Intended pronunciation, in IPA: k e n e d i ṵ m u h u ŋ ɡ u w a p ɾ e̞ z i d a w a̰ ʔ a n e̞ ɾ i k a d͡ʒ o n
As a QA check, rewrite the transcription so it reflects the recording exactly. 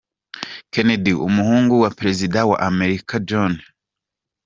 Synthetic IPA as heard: k e n e d i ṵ m u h uː ŋ ɡ u w a p ɾ e̞ z i d a w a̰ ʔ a m e̞ ɾ i k a d͡ʒ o n